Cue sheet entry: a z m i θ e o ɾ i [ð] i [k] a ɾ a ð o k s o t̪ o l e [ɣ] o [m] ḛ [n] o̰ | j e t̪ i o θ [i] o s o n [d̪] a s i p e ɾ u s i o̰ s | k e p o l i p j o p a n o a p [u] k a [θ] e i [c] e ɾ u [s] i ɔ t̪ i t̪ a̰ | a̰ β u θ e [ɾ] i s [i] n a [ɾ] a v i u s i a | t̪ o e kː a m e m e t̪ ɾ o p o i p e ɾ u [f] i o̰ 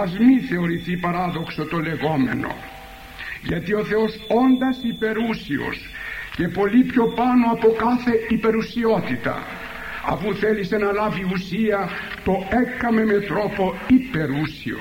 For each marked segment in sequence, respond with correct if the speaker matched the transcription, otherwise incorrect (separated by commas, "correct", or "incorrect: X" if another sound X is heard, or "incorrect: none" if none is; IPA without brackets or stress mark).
incorrect: θ, incorrect: p, correct, correct, correct, incorrect: e, correct, incorrect: o, correct, incorrect: p, correct, incorrect: l, incorrect: e, incorrect: l, incorrect: s